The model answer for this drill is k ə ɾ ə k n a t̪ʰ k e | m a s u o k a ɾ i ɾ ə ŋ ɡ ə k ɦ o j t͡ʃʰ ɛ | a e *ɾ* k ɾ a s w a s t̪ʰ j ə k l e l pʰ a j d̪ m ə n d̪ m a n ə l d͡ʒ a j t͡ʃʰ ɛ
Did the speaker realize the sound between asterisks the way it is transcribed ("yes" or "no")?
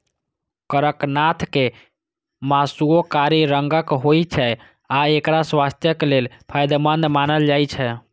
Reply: no